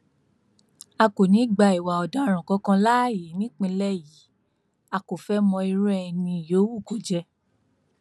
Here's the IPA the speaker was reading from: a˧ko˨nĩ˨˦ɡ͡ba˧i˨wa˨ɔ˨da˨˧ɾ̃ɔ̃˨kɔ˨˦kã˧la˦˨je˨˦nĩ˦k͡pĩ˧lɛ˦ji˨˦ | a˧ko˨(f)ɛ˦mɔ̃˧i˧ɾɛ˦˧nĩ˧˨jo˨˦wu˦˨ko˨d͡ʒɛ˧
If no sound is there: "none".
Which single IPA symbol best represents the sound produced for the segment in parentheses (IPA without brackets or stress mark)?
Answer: f